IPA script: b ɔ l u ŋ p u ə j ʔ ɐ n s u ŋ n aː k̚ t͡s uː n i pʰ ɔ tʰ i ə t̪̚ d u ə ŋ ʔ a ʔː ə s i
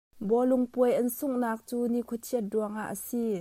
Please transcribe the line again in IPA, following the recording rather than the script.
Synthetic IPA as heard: b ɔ l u ŋ p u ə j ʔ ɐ n s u ŋ n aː k̚ t͡s uː n i kʰ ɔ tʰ i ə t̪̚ d u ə ŋ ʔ a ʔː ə s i